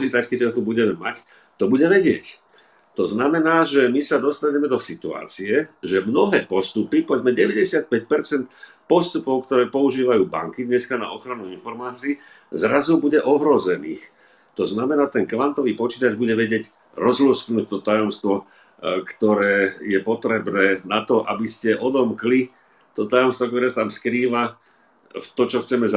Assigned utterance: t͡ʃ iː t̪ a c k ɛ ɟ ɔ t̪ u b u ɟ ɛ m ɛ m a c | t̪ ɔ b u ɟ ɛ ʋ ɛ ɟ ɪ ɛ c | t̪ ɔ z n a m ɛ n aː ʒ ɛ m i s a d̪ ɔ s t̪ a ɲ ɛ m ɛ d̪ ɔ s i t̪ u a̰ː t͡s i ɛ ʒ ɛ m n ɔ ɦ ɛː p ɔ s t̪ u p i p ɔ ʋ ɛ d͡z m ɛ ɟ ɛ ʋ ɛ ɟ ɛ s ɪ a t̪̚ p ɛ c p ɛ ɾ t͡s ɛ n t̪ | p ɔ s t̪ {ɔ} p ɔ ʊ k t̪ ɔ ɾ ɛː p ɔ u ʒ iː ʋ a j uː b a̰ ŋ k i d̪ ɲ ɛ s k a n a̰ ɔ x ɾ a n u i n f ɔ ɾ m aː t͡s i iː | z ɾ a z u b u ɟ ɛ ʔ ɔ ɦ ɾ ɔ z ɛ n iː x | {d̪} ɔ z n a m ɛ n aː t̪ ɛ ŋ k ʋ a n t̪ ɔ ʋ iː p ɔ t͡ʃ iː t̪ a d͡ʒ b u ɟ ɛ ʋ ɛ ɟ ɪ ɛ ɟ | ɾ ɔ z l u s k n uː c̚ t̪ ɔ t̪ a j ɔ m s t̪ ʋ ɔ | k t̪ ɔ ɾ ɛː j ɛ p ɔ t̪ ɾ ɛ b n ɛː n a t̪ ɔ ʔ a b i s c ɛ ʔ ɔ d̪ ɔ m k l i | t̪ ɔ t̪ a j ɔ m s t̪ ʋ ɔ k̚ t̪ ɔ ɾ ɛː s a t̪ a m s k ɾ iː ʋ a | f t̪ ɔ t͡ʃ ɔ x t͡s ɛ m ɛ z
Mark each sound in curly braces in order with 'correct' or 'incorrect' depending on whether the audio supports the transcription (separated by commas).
incorrect, incorrect